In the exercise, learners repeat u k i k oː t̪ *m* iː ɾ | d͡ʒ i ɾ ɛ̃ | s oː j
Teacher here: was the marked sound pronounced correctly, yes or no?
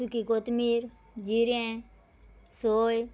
yes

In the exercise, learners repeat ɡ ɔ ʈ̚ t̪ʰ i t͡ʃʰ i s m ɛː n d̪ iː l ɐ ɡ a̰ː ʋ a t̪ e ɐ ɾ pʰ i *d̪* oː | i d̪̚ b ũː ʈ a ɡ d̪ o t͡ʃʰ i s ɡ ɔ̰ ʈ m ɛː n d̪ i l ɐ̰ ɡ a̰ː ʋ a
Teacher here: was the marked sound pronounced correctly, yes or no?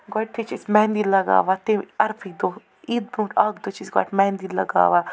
yes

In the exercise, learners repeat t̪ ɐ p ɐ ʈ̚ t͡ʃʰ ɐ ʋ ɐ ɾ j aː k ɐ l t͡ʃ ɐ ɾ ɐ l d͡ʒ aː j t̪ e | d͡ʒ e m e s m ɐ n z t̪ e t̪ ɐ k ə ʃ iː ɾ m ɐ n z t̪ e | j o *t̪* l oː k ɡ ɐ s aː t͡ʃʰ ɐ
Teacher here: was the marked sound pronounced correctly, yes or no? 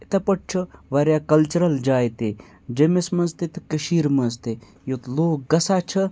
yes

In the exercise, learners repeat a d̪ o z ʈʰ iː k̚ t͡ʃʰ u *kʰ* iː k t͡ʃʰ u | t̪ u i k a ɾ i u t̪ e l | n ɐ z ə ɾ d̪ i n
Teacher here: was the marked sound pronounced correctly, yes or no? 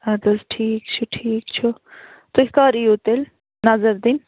no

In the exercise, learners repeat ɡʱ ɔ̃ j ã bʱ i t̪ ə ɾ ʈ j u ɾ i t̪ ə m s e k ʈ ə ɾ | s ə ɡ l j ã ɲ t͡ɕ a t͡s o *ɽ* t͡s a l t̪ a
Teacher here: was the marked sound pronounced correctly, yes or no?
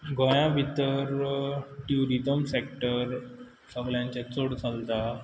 yes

